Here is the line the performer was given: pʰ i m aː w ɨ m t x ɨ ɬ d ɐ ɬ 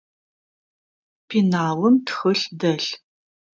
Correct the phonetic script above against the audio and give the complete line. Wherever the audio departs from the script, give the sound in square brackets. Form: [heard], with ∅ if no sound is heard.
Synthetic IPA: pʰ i [n] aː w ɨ m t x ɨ ɬ d ɐ ɬ